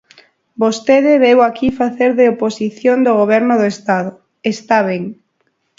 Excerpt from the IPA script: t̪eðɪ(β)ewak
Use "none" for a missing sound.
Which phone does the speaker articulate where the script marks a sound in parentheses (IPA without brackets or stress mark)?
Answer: β